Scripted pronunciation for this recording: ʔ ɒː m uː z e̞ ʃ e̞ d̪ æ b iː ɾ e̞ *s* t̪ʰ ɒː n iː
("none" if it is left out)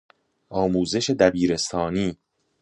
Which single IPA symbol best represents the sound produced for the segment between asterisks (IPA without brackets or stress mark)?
s